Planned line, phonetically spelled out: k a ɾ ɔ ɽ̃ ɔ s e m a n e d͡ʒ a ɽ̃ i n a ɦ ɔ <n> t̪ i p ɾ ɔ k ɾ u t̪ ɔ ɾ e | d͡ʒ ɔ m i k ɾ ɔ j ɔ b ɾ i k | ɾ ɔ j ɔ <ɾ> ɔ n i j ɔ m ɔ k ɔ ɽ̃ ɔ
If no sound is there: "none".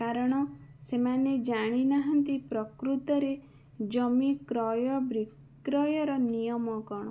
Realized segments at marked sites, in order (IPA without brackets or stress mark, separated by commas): n, ɾ